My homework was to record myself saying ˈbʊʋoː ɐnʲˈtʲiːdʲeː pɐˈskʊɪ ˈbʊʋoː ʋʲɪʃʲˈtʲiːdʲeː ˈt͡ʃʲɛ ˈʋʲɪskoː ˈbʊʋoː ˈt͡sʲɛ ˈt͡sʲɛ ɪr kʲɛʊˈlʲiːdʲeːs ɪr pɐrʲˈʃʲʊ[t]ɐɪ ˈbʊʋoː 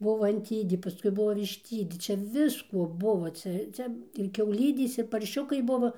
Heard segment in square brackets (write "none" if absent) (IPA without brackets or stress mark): k